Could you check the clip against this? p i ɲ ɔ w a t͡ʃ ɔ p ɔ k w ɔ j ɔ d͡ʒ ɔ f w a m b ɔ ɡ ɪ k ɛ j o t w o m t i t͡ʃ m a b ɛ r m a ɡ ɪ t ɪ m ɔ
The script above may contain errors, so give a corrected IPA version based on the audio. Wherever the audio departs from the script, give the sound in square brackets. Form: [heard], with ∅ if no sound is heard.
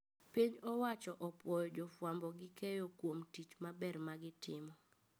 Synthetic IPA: p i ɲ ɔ w a t͡ʃ ɔ [ʔ] ɔ [p] w ɔ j ɔ d͡ʒ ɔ f w a m b ɔ ɡ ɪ k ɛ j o [k] w o m t i t͡ʃ m a b ɛ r m a ɡ ɪ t ɪ m ɔ